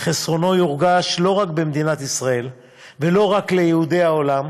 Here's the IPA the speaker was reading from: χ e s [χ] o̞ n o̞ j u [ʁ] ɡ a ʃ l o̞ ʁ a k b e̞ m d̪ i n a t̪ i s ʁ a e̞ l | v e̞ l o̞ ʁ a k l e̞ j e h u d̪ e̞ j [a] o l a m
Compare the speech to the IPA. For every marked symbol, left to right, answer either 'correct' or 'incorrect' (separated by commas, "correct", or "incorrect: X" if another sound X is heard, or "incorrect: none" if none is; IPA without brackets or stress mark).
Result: incorrect: ʁ, correct, correct